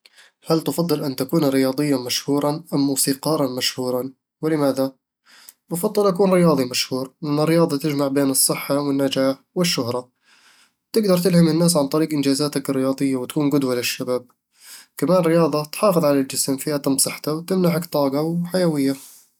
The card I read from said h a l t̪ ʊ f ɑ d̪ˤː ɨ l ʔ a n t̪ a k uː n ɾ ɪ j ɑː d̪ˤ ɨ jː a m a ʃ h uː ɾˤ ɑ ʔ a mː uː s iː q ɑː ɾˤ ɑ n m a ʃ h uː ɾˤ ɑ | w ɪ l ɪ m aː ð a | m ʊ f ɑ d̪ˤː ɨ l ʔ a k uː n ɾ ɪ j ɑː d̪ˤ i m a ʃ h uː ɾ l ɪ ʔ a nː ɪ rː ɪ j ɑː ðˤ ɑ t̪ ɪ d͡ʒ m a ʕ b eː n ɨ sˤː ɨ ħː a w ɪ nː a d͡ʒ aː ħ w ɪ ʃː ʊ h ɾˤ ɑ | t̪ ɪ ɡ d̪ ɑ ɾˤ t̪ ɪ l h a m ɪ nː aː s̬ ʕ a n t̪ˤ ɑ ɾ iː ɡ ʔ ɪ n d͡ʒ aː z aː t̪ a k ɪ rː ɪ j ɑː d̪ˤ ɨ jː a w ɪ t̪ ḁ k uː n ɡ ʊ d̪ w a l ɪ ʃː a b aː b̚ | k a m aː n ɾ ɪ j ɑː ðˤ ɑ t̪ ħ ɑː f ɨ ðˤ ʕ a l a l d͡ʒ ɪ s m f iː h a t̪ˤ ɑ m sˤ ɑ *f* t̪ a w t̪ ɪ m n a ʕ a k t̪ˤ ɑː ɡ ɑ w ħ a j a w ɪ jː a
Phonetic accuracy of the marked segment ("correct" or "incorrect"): incorrect